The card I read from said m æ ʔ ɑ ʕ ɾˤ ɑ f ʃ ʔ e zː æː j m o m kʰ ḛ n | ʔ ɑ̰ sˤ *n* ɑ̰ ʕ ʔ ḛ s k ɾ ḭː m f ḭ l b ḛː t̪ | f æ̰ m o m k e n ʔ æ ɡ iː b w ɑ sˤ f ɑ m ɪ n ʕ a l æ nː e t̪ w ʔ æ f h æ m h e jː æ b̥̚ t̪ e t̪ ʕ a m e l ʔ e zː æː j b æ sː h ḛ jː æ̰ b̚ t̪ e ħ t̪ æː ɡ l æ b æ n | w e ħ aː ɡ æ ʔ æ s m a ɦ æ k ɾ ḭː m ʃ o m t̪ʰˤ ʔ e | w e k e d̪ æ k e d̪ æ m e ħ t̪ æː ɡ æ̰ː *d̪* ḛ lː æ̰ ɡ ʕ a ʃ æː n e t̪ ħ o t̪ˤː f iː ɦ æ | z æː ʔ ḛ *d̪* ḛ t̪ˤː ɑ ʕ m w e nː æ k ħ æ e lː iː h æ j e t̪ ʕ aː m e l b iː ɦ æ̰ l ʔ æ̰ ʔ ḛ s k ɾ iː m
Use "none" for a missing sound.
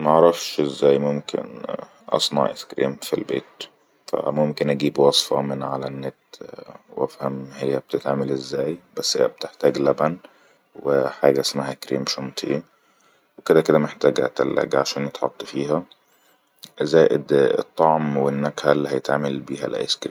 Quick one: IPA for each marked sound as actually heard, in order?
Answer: n, t̪, d̪

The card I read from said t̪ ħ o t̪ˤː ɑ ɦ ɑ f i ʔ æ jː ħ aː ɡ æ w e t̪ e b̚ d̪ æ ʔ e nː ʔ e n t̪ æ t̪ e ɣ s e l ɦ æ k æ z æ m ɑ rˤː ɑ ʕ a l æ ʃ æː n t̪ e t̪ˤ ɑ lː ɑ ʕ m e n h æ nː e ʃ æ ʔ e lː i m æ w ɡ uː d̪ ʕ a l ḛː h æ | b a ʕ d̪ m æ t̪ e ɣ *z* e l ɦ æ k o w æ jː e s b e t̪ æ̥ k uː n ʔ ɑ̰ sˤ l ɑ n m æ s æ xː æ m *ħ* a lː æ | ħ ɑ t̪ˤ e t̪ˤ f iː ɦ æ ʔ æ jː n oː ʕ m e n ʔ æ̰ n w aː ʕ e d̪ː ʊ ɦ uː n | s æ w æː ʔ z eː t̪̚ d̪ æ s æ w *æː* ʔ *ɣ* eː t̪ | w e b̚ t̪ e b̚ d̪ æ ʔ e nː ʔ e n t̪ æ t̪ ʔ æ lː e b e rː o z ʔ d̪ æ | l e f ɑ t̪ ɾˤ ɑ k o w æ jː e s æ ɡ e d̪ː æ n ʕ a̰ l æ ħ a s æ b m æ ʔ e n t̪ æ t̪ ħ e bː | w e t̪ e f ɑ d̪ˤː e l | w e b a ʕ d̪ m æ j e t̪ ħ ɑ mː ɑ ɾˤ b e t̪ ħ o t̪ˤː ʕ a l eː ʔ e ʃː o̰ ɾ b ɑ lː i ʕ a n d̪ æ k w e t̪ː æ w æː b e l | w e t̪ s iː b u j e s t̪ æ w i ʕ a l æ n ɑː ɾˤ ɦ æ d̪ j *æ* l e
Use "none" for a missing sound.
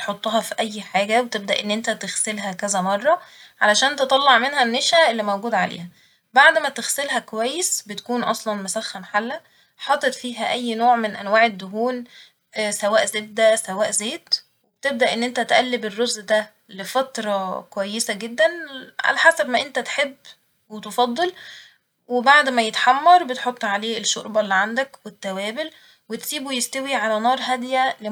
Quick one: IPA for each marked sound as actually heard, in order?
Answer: s, ħ, æː, z, æ

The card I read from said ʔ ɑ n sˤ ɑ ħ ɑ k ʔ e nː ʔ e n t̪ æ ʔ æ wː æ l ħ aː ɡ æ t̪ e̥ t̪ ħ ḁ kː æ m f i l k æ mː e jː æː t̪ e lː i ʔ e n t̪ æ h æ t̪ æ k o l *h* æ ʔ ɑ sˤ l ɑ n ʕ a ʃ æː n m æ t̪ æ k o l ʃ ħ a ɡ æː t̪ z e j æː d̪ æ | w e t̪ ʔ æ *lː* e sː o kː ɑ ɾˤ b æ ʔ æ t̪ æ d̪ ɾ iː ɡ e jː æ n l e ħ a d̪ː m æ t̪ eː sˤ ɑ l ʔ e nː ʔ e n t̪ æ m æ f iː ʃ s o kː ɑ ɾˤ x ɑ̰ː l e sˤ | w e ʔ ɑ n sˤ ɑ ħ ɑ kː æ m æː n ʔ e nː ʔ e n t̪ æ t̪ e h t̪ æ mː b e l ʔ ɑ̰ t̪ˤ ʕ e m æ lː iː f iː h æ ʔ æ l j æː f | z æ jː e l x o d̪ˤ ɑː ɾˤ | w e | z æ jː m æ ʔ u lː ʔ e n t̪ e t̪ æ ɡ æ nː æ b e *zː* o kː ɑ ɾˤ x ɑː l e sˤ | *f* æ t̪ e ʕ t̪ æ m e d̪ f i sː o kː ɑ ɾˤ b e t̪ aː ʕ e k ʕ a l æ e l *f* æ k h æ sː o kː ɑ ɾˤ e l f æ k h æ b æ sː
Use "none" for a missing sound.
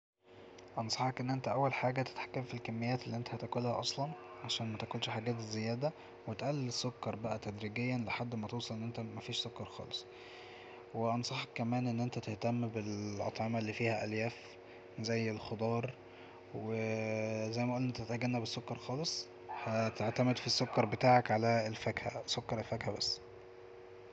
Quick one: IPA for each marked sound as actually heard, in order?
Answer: h, lː, sː, h, f

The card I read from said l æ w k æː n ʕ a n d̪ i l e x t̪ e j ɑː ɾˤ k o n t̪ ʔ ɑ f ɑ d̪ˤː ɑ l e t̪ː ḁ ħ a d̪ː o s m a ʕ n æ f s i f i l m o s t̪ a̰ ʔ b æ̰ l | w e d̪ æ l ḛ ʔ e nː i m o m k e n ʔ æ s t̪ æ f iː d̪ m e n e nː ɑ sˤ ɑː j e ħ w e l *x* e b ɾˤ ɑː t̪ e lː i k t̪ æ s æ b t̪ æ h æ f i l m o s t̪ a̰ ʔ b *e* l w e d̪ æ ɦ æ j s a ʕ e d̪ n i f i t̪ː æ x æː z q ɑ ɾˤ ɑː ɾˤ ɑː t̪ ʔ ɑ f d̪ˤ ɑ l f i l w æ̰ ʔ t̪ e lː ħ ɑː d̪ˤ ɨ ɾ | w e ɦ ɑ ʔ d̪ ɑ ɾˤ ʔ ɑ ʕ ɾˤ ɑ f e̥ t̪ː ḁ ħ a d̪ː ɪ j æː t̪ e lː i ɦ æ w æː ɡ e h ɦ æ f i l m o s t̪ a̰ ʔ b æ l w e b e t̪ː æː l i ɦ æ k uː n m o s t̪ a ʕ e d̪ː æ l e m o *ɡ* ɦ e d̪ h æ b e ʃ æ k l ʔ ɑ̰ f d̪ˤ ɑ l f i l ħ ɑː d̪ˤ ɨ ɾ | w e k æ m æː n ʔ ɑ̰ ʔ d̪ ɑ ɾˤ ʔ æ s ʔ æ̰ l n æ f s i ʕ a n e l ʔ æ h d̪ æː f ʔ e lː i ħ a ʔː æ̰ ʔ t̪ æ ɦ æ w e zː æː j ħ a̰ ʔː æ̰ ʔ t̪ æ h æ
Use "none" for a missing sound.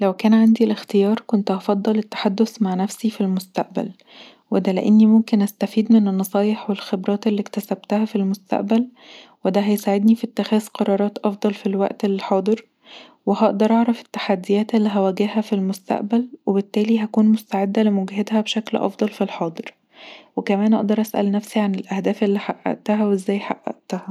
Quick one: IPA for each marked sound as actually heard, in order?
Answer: x, æ, ɡ

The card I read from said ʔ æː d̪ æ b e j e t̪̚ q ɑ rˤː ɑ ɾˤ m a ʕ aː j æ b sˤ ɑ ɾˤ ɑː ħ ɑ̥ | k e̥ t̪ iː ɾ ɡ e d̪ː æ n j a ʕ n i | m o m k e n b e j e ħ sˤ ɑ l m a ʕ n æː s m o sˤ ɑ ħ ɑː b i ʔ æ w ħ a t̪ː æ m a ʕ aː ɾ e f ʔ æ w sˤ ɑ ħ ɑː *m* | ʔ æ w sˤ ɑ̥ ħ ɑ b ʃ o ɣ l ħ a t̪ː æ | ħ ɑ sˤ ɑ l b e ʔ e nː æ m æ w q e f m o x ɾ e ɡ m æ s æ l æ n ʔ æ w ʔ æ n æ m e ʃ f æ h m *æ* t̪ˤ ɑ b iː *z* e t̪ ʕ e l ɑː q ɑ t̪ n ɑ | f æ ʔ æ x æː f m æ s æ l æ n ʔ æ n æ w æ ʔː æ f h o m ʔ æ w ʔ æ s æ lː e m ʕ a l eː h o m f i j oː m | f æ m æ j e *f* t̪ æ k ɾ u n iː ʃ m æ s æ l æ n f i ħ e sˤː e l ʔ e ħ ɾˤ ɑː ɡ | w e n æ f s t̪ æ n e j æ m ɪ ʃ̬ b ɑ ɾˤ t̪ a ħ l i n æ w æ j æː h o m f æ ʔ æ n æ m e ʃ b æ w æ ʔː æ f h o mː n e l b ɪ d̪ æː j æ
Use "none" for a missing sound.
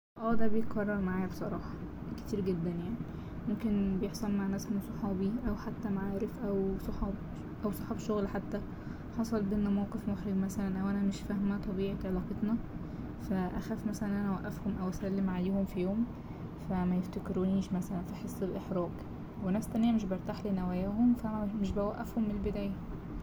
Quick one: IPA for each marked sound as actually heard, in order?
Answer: b, æ, ʕ, f

